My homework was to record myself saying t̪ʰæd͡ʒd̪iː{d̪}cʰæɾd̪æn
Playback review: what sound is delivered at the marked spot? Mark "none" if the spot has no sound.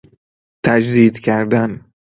d̪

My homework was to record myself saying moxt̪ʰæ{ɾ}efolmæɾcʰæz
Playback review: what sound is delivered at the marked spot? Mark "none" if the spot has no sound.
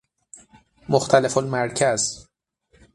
l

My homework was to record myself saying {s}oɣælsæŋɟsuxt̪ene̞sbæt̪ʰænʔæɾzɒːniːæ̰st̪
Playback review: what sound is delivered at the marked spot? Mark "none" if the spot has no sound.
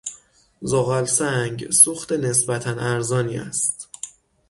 z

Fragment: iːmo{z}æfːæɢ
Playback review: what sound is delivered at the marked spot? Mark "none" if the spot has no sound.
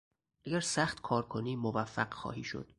v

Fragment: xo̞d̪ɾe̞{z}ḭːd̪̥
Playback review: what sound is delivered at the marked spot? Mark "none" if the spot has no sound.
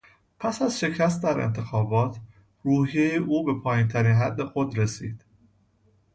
s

